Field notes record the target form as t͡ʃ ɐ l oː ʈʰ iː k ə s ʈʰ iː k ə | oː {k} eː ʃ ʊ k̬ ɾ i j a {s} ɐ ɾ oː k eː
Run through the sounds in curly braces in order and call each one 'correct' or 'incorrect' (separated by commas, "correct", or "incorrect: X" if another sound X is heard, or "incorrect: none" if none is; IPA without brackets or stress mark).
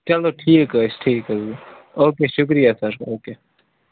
correct, correct